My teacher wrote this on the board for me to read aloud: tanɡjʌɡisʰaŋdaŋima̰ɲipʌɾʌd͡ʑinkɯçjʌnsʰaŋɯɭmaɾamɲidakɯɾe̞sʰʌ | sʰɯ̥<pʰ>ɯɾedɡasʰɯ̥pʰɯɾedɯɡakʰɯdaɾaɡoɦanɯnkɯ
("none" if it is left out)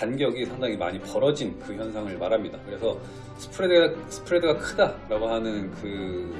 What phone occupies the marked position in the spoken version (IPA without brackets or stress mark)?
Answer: pʰ